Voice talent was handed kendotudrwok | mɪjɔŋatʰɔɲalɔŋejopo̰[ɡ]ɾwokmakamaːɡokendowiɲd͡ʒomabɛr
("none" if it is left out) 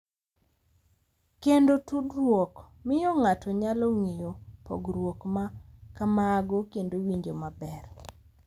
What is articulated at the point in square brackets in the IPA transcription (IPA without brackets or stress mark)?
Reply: ɡ